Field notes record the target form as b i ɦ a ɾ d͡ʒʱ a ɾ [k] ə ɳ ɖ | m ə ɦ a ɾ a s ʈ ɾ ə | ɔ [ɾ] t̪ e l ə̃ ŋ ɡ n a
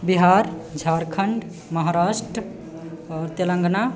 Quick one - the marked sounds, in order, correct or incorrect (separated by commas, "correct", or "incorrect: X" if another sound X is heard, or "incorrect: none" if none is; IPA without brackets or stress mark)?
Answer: incorrect: kʰ, correct